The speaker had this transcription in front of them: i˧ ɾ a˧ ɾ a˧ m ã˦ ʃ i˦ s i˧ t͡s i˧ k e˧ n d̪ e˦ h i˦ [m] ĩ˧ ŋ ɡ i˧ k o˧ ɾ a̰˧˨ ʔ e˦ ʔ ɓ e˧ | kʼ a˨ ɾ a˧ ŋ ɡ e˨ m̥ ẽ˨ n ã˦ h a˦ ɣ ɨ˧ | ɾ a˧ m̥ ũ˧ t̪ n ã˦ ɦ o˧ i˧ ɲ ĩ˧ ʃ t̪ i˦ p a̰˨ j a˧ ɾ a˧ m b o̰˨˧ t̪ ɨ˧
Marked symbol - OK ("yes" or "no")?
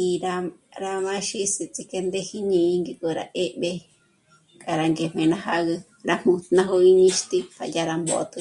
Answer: no